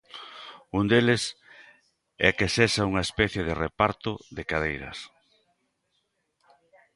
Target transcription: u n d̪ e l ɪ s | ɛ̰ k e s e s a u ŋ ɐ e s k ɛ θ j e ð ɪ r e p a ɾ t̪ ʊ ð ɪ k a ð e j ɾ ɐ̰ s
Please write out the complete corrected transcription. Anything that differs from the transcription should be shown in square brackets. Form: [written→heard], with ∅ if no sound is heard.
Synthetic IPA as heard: u n d̪ e l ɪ s | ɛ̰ k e s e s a u ŋ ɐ e s [k→p] ɛ θ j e ð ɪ r e p a ɾ t̪ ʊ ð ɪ k a ð e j ɾ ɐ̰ s